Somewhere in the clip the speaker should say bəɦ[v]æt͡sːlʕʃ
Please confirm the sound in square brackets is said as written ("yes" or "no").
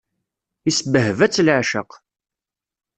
yes